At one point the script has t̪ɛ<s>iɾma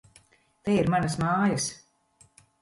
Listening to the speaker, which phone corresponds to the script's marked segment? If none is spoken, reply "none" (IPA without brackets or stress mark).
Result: none